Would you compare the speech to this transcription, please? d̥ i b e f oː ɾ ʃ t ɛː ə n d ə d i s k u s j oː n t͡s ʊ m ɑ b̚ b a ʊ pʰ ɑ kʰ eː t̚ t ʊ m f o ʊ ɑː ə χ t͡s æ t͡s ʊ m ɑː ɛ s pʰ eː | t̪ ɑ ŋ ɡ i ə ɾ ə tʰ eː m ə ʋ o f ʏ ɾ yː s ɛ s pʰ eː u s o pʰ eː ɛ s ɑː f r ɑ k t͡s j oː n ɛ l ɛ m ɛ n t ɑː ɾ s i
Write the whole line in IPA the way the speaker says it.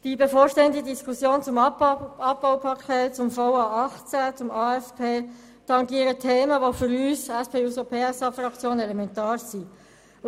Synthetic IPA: d̥ i b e f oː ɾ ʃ t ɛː ə n d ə d i s k u s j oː n t͡s ʊ m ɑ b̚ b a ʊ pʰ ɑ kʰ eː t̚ t͡s ʊ m f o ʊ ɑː ɑ χ t͡s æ t͡s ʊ m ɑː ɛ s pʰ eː | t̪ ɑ ŋ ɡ i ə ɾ ə tʰ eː m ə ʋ o f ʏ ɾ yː s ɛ s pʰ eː u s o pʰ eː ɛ s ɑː f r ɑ k t͡s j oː n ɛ l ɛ m ɛ n t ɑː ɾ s i

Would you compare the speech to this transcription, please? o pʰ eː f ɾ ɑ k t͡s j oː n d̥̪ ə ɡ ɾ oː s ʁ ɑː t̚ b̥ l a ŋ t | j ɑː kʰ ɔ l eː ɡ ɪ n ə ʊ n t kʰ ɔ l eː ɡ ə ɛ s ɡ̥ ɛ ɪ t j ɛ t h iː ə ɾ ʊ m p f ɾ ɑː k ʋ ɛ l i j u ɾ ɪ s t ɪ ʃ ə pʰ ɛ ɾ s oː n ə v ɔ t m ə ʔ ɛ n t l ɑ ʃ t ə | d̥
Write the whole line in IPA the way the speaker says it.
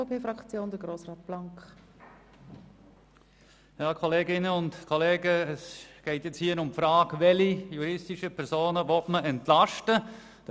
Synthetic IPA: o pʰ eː f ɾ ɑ k t͡s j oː n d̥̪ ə ɡ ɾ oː s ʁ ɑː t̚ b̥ l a ŋ k | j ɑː kʰ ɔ l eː ɡ ɪ n ə ʊ n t kʰ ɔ l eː ɡ ə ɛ s ɡ̥ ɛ ɪ t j ɛ t͡s h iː ə ɾ ʊ m p f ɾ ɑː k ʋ ɛ l i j u ɾ ɪ s t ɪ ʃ ə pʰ ɛ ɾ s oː n ə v ɔ t m ə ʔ ɛ n t l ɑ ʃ t ə | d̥

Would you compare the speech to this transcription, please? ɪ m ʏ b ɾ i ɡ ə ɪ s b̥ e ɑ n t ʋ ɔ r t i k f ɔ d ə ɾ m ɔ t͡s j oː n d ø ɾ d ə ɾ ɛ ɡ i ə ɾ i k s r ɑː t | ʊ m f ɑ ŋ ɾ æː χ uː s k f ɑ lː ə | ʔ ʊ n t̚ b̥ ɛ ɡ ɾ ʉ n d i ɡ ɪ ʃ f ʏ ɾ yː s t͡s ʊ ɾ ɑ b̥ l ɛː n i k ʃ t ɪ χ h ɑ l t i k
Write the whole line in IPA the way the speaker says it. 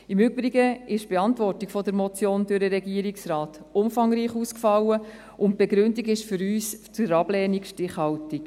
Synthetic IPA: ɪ m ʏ b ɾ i ɡ ə ɪ ʃ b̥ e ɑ n t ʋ ɔ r t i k f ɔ d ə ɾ m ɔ t͡s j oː n d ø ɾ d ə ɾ ɛ ɡ i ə ɾ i k s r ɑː t | ʊ m f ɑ ŋ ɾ iː χ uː s k f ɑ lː ə | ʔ ʊ n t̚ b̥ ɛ ɡ ɾ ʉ n d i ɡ ɪ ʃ f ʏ ɾ yː s t͡s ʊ ɾ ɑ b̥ l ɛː n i k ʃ t ɪ χ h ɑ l t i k

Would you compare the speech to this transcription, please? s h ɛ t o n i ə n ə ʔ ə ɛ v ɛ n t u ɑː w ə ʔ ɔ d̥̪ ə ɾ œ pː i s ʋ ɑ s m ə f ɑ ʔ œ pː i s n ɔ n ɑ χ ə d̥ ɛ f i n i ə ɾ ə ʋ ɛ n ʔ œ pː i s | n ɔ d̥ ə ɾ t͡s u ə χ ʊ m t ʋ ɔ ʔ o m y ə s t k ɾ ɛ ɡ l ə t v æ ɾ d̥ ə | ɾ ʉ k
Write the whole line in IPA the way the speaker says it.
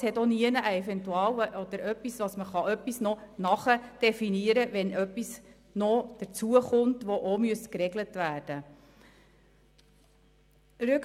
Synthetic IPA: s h ɛ t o n i ə n ə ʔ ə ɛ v ɛ n t u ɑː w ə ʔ ɔ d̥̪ ə ɾ œ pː i s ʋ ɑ s m ə χ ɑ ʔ œ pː i s n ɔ n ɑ χ ə d̥ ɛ f i n i ə ɾ ə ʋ ɛ n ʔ œ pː i s | n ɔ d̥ ə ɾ t͡s u ə χ ʊ m t ʋ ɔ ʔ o m y ə s t k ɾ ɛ ɡ l ə t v æː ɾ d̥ ə | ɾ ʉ k

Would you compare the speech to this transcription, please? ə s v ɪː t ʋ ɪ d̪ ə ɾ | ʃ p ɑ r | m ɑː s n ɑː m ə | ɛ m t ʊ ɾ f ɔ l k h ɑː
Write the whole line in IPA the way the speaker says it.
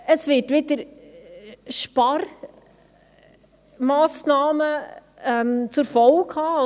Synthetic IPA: ə s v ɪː t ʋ ɪ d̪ ə ɾ | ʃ p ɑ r | m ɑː s n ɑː m ə | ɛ m t͡s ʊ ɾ f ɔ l k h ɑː

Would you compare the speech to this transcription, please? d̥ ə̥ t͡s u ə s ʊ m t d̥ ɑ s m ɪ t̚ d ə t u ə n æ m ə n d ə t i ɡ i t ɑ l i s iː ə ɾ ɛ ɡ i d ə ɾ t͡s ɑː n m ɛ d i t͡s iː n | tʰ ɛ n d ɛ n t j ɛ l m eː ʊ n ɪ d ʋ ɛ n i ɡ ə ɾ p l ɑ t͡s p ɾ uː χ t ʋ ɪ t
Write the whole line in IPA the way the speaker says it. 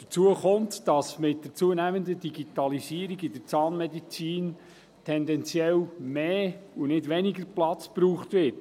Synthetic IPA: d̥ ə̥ t͡s u ə χ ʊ m t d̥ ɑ s m ɪ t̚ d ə t͡s u ə n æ m ə n d ə d i ɡ i t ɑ l i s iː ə ɾ i ɡ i d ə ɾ t͡s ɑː n m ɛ d i t͡s iː n | tʰ ɛ n d ɛ n t͡s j ɛ l m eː u n ɪ d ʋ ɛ n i ɡ ə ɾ p l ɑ t͡s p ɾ uː χ t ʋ ɪ t

